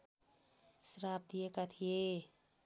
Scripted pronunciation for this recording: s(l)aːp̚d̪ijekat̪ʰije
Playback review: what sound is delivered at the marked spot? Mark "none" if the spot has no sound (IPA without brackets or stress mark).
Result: ɾ